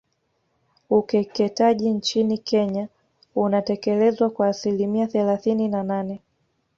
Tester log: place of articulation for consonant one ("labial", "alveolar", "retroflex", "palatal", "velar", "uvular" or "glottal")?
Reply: velar